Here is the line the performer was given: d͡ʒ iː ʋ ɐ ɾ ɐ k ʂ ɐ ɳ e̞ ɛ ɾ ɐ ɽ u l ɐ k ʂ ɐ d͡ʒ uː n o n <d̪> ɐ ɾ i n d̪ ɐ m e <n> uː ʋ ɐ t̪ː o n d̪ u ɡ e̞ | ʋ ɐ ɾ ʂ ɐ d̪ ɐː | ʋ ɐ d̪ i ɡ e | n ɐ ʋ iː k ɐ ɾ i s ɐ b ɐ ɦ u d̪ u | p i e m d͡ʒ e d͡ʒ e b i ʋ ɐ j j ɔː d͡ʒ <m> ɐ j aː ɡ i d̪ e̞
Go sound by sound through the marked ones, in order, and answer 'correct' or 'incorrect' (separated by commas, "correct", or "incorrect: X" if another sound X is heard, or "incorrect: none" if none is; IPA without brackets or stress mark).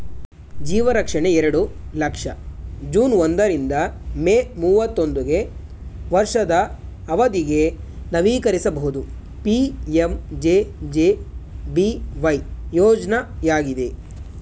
correct, incorrect: m, incorrect: n